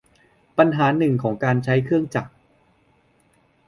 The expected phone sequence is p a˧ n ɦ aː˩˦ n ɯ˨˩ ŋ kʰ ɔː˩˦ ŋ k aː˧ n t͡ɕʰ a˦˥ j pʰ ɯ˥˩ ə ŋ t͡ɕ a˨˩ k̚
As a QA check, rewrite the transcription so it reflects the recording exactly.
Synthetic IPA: p a˧ n ɦ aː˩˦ n ɯ˨˩ ŋ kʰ ɔː˩˦ ŋ k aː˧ n t͡ɕʰ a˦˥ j kʰ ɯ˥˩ ə ŋ t͡ɕ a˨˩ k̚